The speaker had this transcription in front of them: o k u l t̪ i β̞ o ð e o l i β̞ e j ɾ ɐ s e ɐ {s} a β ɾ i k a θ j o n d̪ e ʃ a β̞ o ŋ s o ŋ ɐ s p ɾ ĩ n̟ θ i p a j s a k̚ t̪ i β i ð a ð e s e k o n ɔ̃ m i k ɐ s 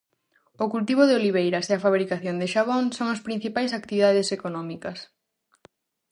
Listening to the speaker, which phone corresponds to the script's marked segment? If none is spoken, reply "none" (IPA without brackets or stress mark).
f